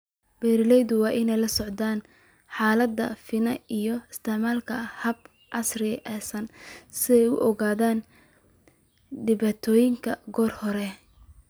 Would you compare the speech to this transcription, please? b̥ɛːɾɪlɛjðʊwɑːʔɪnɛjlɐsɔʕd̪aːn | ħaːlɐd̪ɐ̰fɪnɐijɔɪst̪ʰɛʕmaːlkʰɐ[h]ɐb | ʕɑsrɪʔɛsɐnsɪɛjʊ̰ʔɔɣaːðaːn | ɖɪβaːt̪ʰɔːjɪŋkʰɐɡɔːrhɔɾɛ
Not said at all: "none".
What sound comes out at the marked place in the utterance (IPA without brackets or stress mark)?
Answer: h